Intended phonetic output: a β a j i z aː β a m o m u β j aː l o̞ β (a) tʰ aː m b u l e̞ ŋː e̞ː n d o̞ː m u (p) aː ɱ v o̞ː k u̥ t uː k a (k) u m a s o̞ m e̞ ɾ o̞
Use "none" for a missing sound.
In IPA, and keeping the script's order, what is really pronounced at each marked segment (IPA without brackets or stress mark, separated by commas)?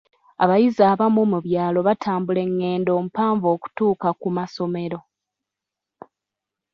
a, p, k